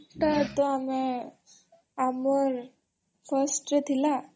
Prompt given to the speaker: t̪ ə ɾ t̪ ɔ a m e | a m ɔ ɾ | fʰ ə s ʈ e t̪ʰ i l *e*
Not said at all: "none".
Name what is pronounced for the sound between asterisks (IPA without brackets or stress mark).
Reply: a